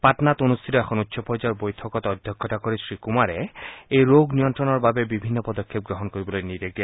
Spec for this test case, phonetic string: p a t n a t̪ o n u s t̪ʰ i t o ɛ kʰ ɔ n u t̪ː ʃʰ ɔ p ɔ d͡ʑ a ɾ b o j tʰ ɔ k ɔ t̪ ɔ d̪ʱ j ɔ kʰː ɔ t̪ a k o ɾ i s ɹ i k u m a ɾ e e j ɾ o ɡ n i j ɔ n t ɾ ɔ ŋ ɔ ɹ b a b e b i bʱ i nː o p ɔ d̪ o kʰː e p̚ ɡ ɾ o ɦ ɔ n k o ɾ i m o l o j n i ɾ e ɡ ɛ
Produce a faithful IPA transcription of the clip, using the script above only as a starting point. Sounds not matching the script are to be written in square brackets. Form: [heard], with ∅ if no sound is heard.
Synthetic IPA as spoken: p a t n a t̪ o n u s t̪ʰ i t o ɛ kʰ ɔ n u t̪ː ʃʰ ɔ p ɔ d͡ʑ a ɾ b o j tʰ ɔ k ɔ t̪ ɔ d̪ʱ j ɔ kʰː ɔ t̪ a k o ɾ i s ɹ i k u m a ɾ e e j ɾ o ɡ n i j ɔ n t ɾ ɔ [n] ɔ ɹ b a b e b i bʱ i nː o p ɔ d̪ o kʰː e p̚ ɡ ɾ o ɦ ɔ n k o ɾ i [b] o l o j n i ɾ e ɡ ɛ